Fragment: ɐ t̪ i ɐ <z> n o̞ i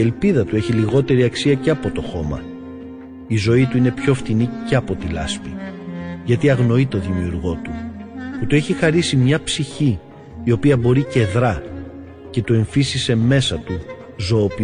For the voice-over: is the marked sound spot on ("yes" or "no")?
no